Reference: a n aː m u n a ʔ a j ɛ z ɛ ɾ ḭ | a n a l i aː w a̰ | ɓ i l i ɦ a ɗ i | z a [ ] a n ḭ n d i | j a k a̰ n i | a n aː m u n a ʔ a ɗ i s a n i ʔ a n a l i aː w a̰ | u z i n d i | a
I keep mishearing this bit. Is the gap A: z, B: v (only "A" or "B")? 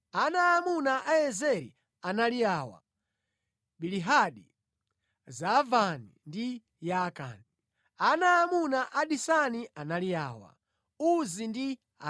B